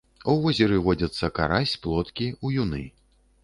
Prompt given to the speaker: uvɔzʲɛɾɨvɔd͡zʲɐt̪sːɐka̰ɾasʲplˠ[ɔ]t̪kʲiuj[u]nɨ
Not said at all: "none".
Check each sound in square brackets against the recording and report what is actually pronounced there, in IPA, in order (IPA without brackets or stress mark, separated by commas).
ɔ, u